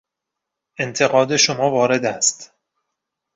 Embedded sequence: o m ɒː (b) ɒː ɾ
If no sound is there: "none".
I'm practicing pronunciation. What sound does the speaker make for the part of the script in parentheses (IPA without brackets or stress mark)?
v